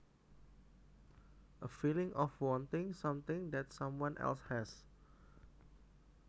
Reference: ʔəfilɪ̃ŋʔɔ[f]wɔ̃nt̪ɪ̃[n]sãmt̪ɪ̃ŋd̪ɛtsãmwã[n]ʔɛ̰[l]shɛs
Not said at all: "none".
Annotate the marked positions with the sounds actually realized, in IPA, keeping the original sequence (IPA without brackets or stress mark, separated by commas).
f, ŋ, n, l